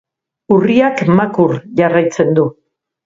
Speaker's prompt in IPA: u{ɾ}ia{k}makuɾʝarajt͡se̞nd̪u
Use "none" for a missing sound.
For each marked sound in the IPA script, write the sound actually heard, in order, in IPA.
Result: r, k

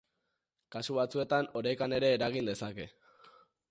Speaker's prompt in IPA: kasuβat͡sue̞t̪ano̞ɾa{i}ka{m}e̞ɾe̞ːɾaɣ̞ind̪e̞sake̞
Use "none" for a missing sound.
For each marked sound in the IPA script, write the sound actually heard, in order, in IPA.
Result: j, n

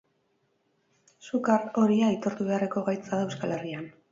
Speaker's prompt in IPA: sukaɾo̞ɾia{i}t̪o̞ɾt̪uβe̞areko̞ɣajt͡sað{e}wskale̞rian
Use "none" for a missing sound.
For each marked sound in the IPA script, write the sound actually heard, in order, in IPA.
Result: i, e

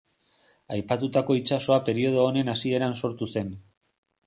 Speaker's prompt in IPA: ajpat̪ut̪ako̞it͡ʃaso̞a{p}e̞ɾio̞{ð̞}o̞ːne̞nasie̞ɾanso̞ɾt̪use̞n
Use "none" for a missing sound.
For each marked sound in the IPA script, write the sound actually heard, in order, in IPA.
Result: p, ð̞

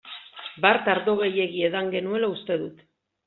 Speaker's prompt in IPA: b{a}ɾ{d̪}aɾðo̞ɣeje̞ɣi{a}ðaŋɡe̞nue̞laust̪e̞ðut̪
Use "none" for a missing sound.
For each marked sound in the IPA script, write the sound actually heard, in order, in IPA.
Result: a, t̪, e

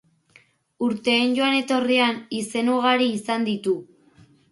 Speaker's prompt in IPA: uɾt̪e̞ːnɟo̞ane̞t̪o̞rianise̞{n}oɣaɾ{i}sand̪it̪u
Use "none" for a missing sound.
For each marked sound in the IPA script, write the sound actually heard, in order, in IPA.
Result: n, iː

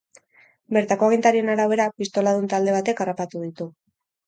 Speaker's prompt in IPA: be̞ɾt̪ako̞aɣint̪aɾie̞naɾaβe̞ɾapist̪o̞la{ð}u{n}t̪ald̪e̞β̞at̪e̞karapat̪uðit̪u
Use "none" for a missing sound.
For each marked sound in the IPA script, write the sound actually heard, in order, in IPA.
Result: ð, n

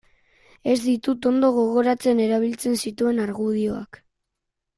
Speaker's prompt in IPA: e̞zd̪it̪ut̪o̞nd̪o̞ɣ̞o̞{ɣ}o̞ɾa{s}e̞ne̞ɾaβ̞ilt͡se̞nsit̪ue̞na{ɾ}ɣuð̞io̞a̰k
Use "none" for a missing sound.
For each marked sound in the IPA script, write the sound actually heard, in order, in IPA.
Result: ɣ, t͡s, ɾ

